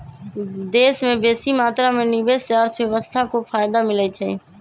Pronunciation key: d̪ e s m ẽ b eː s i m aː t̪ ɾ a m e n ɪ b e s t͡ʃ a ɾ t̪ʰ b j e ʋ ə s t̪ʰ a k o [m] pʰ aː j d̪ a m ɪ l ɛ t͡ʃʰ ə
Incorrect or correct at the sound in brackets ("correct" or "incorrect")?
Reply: incorrect